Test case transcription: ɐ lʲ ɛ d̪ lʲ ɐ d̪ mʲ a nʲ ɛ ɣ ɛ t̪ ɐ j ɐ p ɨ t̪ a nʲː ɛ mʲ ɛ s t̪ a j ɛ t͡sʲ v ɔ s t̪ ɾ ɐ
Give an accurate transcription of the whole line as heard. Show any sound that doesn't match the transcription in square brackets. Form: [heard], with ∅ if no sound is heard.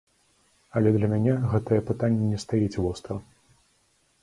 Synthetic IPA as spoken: ɐ lʲ ɛ d̪ lʲ ɐ [∅] mʲ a nʲ ɛ ɣ ɛ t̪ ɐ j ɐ p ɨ t̪ a nʲː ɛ [nʲ] ɛ s t̪ a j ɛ t͡sʲ v ɔ s t̪ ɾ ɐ

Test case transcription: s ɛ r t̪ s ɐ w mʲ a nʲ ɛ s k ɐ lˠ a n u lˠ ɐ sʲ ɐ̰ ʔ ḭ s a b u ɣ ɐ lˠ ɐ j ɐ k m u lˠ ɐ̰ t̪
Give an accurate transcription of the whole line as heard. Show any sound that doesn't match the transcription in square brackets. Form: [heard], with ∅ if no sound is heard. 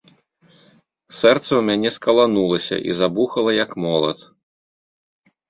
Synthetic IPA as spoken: s ɛ r t̪ s ɐ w mʲ a nʲ ɛ s k ɐ lˠ a n u lˠ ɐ sʲ ɐ̰ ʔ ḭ [z] a b u [x] ɐ lˠ ɐ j ɐ k m [ɔ] lˠ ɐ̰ t̪

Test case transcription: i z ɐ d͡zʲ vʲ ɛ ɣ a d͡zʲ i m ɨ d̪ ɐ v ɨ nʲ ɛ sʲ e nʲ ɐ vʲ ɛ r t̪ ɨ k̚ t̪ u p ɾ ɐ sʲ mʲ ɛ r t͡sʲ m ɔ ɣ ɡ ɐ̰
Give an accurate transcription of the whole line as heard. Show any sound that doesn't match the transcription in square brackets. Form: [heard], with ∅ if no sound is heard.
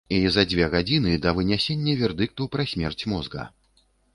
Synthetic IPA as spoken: i z ɐ d͡zʲ vʲ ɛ ɣ a d͡zʲ i [n] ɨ d̪ ɐ v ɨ nʲ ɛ sʲ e [nʲː] ɐ vʲ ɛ r [d̪] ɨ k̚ t̪ u p ɾ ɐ sʲ mʲ ɛ r t͡sʲ m ɔ [z] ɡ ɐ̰

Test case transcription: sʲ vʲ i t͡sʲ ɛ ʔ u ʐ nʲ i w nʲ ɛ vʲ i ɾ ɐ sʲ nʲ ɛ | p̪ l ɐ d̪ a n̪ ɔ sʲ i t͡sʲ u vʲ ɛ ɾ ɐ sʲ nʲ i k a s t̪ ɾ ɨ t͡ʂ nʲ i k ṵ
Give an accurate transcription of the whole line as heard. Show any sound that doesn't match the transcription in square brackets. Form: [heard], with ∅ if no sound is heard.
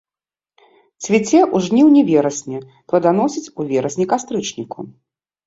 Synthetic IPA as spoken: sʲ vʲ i t͡sʲ ɛ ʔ u ʐ nʲ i w nʲ ɛ vʲ [ɛ] ɾ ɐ sʲ nʲ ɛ | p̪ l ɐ d̪ a n̪ ɔ sʲ i t͡sʲ u vʲ ɛ ɾ ɐ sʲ nʲ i k a s t̪ ɾ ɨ t͡ʂ nʲ i k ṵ

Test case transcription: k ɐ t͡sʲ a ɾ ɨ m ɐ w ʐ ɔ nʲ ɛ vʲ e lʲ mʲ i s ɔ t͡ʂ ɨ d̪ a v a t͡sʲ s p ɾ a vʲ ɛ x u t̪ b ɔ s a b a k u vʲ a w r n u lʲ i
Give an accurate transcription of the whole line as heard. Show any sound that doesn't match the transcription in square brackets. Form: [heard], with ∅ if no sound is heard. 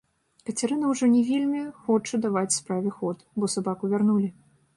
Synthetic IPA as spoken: k ɐ t͡sʲ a ɾ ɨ [n] ɐ w ʐ ɔ nʲ ɛ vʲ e lʲ mʲ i [x] ɔ t͡ʂ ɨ d̪ a v a t͡sʲ s p ɾ a vʲ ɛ x [ɔ] t̪ b ɔ s a b a k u vʲ a [∅] r n u lʲ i

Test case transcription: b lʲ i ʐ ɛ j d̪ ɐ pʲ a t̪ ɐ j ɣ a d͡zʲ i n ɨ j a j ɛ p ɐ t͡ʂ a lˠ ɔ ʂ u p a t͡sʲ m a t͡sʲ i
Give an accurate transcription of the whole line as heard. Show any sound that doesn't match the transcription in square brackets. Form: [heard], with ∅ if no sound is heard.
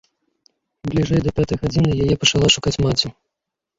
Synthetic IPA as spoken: b lʲ i ʐ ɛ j d̪ ɐ pʲ a t̪ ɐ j ɣ a d͡zʲ i n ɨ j a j ɛ p ɐ t͡ʂ a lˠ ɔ ʂ u [k] a t͡sʲ m a t͡sʲ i

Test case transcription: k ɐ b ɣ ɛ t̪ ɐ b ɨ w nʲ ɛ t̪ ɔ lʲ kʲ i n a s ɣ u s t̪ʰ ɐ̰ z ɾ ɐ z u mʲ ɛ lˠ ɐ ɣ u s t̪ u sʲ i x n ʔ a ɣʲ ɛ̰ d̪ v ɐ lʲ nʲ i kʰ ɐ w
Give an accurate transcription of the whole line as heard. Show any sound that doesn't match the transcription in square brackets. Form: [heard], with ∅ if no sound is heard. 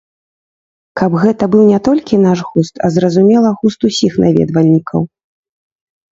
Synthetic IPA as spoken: k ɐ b ɣ ɛ t̪ ɐ b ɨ w nʲ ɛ t̪ ɔ lʲ kʲ i n a [ʂ] ɣ u s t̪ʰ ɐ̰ z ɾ ɐ z u mʲ ɛ lˠ ɐ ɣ u s t̪ u sʲ i x n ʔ a [vʲ] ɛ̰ d̪ v ɐ lʲ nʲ i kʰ ɐ w

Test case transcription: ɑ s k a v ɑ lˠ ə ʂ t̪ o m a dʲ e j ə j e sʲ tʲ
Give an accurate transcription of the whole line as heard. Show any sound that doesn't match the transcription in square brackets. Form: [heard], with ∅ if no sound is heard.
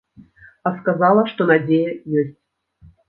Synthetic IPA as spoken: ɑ s k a [z] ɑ lˠ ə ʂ t̪ o [n] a dʲ e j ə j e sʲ tʲ

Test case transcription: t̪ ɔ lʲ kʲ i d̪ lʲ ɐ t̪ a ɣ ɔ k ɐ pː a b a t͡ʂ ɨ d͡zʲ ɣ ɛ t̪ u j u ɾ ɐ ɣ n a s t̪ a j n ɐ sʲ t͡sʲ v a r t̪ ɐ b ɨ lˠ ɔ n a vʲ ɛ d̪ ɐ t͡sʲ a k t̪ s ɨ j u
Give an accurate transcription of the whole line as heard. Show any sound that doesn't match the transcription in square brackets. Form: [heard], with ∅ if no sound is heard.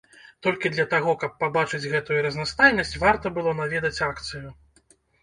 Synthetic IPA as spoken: t̪ ɔ lʲ kʲ i d̪ lʲ ɐ t̪ a ɣ ɔ k ɐ pː a b a t͡ʂ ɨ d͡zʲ ɣ ɛ t̪ u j u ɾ ɐ [z] n a s t̪ a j n ɐ sʲ t͡sʲ v a r t̪ ɐ b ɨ lˠ ɔ n a vʲ ɛ d̪ ɐ t͡sʲ a k t̪ s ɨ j u

